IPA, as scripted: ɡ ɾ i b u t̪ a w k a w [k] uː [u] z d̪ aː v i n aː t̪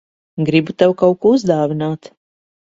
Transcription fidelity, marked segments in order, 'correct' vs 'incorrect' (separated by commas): correct, correct